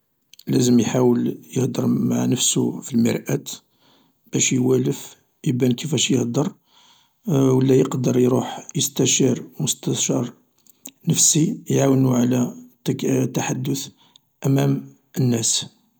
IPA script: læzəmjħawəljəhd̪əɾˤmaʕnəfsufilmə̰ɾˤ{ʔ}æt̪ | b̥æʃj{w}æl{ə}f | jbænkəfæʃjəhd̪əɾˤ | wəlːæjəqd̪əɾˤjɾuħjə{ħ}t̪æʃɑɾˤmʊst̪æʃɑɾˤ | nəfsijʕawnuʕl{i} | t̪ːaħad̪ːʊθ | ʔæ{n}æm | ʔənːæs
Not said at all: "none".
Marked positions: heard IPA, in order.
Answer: ʔ, w, ə, s, æ, m

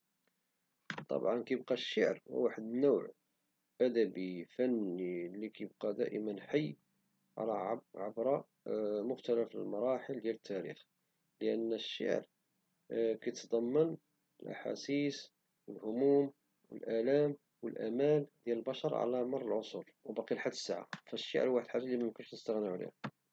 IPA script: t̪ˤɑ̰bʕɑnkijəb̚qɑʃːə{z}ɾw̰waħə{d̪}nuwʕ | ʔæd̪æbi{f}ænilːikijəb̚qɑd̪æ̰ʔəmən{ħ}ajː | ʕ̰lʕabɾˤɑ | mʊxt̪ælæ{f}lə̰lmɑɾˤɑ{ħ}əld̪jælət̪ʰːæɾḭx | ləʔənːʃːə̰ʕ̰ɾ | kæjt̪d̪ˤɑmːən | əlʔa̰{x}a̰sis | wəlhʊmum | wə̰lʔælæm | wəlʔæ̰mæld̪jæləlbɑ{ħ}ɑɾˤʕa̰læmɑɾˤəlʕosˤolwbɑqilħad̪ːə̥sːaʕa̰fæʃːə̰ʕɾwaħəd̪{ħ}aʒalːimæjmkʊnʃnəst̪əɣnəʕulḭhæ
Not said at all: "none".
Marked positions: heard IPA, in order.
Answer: ʕ, d̪, f, ħ, f, ħ, ħ, ʃ, ħ

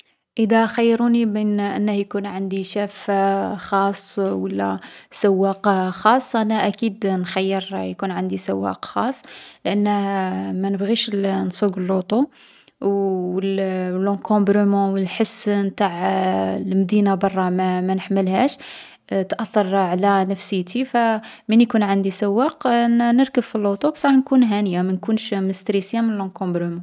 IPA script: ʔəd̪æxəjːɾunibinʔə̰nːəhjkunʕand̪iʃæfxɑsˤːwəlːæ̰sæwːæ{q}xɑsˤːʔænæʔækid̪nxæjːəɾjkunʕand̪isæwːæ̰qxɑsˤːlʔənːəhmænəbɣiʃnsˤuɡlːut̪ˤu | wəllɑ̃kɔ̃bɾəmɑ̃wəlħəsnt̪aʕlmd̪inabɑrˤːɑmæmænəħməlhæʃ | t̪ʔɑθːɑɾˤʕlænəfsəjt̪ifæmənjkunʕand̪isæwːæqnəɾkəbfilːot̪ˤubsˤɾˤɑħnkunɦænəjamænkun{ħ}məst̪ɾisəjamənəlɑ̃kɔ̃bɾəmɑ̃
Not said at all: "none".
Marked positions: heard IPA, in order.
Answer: q, ʃ

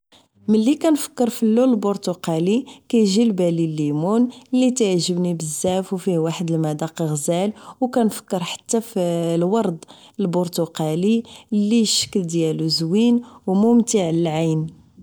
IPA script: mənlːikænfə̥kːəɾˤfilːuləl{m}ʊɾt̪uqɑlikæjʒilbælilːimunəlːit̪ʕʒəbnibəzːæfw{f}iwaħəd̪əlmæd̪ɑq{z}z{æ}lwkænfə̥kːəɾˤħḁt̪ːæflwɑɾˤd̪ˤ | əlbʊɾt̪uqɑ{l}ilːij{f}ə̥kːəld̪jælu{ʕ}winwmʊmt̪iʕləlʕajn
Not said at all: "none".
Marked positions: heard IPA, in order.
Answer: b, f, ɣ, æ, l, ʃ, z

